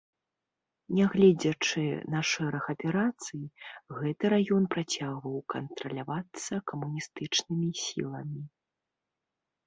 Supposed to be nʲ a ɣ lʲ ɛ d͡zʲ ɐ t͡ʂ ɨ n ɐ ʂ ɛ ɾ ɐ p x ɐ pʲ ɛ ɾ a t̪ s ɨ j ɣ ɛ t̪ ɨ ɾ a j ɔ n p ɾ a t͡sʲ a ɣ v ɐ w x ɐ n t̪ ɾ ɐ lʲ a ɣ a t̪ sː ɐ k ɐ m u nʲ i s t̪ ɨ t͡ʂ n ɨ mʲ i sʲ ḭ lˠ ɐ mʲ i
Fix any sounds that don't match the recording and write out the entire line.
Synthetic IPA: nʲ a ɣ lʲ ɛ d͡zʲ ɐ t͡ʂ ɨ n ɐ ʂ ɛ ɾ ɐ x ɐ pʲ ɛ ɾ a t̪ s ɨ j ɣ ɛ t̪ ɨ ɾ a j ɔ n p ɾ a t͡sʲ a ɣ v ɐ w k ɐ n t̪ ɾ ɐ lʲ a v a t̪ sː ɐ k ɐ m u nʲ i s t̪ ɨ t͡ʂ n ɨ mʲ i sʲ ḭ lˠ ɐ mʲ i